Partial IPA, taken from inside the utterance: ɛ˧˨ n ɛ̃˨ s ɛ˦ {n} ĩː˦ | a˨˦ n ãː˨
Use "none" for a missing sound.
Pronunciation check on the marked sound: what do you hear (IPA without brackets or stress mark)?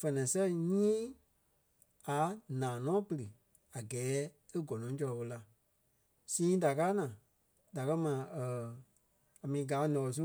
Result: ɲ